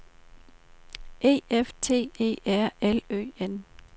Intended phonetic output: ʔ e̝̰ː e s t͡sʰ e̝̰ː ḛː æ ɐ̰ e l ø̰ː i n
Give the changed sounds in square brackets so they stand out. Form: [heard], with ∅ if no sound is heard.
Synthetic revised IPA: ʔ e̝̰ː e [f] t͡sʰ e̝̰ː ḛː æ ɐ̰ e l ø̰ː [e] n